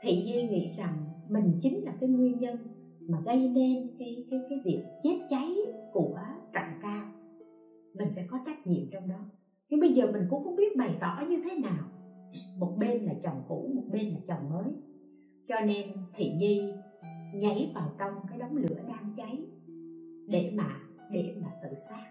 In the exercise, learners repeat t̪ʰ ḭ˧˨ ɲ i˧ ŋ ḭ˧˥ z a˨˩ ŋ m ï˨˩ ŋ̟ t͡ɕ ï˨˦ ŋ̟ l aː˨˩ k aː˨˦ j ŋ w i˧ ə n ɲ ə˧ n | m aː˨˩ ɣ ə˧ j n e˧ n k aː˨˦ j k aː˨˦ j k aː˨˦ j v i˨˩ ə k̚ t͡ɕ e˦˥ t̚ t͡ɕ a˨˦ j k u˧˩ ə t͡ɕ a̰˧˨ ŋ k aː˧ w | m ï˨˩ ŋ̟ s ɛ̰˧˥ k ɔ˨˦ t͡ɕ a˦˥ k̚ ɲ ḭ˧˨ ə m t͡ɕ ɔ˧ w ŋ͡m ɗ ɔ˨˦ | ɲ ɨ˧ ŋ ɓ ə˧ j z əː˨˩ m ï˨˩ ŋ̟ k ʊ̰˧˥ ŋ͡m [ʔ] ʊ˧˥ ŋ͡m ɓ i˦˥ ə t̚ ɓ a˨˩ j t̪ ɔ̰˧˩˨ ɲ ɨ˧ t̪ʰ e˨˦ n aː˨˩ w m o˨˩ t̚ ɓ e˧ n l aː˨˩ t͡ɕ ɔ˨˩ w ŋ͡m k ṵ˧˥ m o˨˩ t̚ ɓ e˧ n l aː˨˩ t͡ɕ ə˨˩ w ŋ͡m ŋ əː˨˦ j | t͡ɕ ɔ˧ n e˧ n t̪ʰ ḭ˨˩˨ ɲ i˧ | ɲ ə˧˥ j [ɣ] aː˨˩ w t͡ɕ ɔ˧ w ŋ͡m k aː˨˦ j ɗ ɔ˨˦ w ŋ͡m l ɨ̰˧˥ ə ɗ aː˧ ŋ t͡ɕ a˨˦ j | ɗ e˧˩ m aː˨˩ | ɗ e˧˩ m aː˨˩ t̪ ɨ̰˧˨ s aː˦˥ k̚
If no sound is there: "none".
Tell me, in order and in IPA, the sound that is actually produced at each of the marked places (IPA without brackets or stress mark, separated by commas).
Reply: k, v